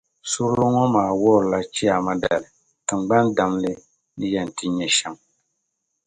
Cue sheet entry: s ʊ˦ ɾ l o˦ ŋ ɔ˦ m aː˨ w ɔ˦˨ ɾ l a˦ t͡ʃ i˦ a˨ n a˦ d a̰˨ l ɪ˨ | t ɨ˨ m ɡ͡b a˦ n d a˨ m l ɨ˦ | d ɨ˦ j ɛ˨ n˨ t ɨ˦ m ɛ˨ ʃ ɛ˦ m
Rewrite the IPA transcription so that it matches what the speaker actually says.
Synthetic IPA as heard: s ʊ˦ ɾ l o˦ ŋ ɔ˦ m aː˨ w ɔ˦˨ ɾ l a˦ t͡ʃ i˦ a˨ m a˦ d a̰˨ l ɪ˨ | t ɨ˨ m ɡ͡b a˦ n d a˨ m l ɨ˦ | n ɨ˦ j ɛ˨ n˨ t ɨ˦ ɲ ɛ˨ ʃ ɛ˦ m